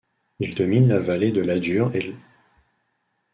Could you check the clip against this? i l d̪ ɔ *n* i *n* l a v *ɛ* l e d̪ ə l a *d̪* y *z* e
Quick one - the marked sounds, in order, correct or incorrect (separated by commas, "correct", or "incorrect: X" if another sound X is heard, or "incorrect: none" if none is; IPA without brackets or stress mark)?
incorrect: m, correct, incorrect: a, correct, incorrect: ʁ